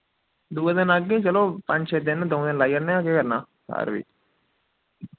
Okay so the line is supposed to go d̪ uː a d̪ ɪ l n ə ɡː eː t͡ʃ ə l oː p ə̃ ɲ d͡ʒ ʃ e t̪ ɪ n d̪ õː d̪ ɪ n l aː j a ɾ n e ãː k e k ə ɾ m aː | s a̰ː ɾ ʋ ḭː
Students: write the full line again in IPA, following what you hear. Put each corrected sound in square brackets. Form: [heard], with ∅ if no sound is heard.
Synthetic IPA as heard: d̪ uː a d̪ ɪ [∅] n ə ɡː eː t͡ʃ ə l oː p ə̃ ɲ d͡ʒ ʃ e [d̪] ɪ n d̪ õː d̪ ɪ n l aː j [ə] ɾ n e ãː k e k ə ɾ [n] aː | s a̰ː ɾ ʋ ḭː